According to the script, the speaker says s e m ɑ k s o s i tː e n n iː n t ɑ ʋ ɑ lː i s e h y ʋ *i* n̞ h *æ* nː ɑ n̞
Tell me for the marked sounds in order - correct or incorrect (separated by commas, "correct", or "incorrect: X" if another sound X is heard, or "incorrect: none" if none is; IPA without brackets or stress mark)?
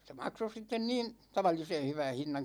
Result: incorrect: æ, incorrect: i